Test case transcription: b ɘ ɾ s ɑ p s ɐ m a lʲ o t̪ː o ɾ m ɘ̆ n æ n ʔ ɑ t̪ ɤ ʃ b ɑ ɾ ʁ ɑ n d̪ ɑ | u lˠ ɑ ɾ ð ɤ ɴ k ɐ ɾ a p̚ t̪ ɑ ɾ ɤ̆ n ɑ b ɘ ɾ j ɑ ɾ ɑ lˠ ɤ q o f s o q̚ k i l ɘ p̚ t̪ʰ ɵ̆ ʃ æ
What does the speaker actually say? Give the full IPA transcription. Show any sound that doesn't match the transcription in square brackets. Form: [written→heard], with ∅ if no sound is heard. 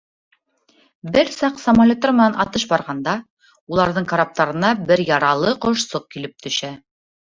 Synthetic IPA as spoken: b ɘ ɾ s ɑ [p→q] s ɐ m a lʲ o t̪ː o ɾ m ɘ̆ n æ n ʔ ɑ t̪ ɤ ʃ b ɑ ɾ ʁ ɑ n d̪ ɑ | u lˠ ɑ ɾ ð ɤ ɴ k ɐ ɾ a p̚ t̪ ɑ ɾ ɤ̆ n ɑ b ɘ ɾ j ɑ ɾ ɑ lˠ ɤ q o [f→ʃ] s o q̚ k i l ɘ p̚ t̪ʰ ɵ̆ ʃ æ

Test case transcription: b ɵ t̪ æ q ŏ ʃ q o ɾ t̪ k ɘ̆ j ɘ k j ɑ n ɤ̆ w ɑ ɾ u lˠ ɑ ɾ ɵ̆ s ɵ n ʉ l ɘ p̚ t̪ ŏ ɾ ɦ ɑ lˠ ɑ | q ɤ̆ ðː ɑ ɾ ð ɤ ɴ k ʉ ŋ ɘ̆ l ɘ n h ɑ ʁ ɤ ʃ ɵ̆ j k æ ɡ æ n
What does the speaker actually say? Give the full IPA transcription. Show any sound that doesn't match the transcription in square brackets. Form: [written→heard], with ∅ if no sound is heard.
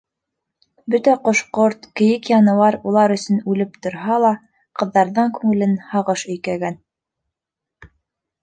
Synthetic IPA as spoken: b ɵ t̪ æ q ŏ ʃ q o ɾ t̪ k ɘ̆ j ɘ k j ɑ n ɤ̆ w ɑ ɾ u lˠ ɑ ɾ ɵ̆ s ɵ n ʉ l ɘ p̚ t̪ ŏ ɾ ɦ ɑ lˠ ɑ | q ɤ̆ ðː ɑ ɾ ð ɤ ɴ k ʉ ŋ ɘ̆ l ɘ n h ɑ ʁ ɤ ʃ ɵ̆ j k æ ɡ æ n

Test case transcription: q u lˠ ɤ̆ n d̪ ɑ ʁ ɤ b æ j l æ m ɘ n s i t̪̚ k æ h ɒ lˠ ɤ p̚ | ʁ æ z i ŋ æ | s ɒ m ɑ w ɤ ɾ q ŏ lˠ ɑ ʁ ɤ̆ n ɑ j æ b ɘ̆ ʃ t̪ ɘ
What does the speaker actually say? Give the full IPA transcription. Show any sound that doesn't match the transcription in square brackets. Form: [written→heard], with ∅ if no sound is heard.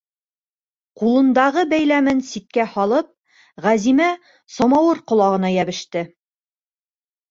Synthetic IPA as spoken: q u lˠ ɤ̆ n d̪ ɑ ʁ ɤ b æ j l æ m ɘ n s i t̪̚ k æ h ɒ lˠ ɤ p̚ | ʁ æ z i [ŋ→m] æ | s ɒ m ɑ w ɤ ɾ q ŏ lˠ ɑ ʁ ɤ̆ n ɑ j æ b ɘ̆ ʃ t̪ ɘ

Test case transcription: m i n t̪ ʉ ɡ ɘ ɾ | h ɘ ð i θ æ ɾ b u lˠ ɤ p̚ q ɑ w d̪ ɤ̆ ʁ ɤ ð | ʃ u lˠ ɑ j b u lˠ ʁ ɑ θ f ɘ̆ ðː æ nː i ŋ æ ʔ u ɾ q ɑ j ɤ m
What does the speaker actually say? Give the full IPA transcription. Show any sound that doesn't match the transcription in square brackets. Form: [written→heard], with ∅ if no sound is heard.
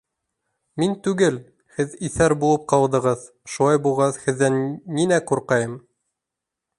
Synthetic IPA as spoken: m i n t̪ ʉ ɡ ɘ [ɾ→l] | h ɘ ð i θ æ ɾ b u lˠ ɤ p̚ q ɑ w d̪ ɤ̆ ʁ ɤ ð | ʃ u lˠ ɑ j b u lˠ ʁ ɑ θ [f→h] ɘ̆ ðː æ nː i [ŋ→n] æ [ʔ→q] u ɾ q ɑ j ɤ m

